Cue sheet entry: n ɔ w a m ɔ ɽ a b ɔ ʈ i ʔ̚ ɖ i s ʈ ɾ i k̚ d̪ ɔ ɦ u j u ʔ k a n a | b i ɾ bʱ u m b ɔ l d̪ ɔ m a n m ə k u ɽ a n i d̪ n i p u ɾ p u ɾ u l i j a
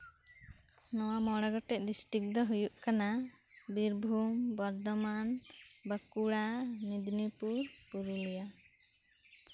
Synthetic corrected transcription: n ɔ w a m ɔ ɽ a ɡ ɔ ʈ ɛ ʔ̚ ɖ i s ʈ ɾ i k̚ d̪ ɔ ɦ u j u ʔ k a n a | b i ɾ bʱ u m b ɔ ɾ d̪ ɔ m a n b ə k u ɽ a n i d̪ n i p u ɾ p u ɾ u l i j a